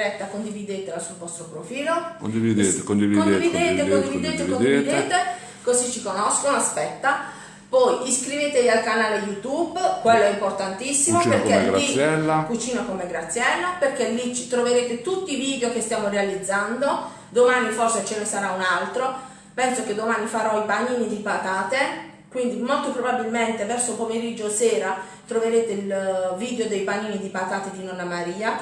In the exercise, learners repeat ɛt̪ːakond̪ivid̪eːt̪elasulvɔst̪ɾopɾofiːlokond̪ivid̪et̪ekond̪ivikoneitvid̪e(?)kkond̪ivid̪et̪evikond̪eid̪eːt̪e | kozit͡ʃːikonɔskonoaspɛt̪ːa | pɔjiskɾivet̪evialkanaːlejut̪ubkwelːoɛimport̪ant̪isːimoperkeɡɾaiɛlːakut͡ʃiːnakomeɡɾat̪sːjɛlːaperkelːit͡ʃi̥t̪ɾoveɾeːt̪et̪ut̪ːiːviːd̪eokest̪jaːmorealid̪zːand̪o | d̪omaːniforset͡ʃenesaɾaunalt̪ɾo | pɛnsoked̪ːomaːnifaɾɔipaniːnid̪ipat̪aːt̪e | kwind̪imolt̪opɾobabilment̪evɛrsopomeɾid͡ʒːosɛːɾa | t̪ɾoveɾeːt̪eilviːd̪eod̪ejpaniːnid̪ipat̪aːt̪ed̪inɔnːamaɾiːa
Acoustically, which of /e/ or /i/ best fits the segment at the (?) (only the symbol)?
e